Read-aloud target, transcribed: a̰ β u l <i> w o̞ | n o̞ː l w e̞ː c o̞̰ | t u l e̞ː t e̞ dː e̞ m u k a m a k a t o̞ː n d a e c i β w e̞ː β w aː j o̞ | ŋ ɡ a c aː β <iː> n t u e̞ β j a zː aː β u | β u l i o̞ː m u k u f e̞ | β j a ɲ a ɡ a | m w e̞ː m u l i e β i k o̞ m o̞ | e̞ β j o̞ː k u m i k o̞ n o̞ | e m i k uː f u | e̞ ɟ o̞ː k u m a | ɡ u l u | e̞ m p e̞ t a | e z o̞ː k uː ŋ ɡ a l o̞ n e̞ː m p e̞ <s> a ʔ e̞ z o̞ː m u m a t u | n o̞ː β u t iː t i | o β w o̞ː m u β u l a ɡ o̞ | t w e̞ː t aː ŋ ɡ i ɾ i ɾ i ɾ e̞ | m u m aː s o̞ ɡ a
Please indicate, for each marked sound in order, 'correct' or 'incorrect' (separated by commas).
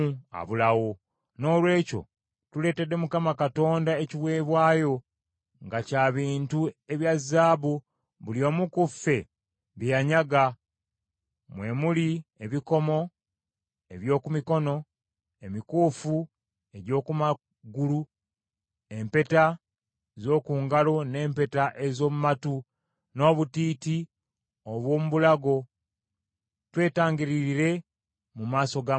incorrect, correct, incorrect